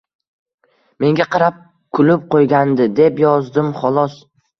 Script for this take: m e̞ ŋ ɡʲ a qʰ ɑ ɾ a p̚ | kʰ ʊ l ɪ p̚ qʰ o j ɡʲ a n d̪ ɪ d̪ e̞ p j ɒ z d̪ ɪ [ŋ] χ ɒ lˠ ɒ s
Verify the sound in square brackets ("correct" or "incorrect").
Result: incorrect